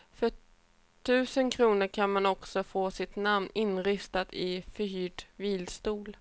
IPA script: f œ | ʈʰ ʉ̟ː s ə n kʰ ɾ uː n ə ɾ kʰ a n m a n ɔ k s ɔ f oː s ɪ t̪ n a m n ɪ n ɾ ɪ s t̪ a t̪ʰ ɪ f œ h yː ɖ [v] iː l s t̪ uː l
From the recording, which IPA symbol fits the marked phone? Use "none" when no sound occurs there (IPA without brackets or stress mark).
v